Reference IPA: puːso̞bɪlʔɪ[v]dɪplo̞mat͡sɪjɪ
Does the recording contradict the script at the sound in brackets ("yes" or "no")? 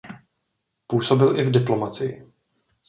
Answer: no